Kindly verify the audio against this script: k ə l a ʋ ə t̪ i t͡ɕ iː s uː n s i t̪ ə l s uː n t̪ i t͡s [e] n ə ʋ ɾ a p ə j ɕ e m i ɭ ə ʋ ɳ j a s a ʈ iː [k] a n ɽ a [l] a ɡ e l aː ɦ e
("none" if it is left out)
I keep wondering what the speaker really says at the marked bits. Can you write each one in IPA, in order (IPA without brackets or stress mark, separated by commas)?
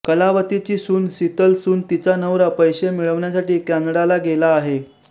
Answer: a, k, l